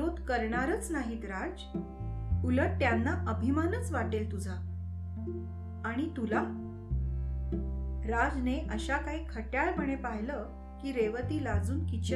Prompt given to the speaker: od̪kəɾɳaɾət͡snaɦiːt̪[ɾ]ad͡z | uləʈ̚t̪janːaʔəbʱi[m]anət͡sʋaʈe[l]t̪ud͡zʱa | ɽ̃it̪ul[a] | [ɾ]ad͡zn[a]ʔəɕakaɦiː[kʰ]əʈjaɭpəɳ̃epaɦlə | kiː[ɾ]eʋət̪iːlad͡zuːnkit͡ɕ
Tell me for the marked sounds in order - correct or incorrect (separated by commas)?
correct, correct, correct, correct, correct, incorrect, correct, correct